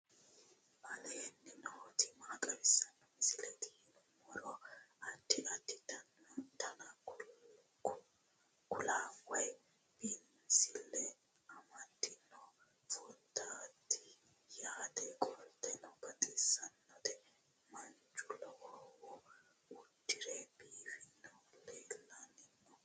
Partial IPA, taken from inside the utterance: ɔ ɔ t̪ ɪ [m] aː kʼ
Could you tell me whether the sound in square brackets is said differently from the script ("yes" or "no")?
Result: no